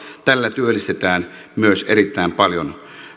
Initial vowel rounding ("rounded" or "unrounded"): unrounded